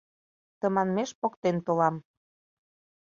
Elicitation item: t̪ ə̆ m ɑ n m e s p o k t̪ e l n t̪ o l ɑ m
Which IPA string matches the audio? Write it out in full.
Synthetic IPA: t̪ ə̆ m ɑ n m e ʃ p o k t̪ e n t̪ o l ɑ m

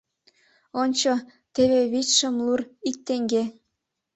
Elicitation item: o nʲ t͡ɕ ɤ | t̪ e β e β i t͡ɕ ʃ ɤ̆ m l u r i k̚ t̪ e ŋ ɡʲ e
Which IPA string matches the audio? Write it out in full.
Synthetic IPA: o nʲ t͡ɕ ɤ | t̪ e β e β i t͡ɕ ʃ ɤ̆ m l u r i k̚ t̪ e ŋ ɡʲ e

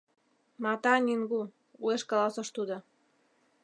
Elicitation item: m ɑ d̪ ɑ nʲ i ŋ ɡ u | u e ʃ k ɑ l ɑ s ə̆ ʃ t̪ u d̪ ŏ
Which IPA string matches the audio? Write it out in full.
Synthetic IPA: m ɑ t̪ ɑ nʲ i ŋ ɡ u | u e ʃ k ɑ l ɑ s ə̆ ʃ t̪ u d̪ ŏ

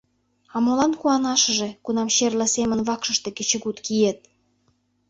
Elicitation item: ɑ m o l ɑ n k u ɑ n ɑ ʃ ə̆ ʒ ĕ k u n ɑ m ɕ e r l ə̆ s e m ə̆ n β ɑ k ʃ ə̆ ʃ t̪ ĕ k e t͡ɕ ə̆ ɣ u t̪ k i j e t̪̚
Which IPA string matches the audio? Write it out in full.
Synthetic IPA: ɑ m o l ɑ n k u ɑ n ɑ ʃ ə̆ ʒ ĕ k u n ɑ m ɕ e r l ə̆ s e m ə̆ n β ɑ k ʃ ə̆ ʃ t̪ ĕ k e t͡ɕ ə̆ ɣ u t̪ k i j e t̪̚

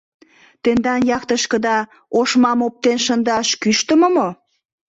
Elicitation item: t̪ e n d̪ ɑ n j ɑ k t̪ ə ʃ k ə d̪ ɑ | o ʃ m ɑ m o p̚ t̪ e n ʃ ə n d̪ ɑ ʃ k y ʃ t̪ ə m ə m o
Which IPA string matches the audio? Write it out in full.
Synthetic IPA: t̪ e n d̪ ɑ n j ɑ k t̪ ə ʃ k ə d̪ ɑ | o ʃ m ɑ m o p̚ t̪ e n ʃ ə n d̪ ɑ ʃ k y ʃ t̪ ə m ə m o

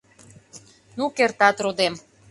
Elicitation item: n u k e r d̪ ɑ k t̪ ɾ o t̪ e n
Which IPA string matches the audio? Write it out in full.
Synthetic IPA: n u k e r t̪ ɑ t̪ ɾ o d̪ e m

